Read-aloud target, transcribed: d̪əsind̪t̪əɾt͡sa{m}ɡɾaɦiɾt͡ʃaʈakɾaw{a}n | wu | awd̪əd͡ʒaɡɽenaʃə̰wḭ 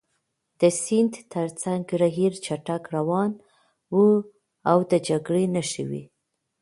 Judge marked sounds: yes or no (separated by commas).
no, no